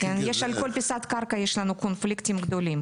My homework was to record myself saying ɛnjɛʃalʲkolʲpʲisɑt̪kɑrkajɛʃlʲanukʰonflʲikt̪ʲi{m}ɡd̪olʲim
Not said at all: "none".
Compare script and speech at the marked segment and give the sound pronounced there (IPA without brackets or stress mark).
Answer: m